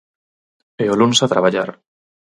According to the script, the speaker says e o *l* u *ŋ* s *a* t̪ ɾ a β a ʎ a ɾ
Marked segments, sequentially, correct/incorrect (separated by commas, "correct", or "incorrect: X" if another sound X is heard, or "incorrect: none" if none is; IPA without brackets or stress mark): correct, incorrect: n, correct